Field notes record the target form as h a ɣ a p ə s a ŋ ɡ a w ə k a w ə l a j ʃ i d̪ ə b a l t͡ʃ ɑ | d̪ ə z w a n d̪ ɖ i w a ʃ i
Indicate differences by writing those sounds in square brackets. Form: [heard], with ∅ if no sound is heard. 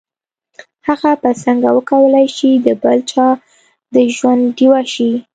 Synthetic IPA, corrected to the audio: h a ɣ a p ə s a ŋ ɡ a w ə k a w ə l a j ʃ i d̪ ə b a l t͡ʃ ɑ | d̪ ə [ʒ] w a n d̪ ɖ i w a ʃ i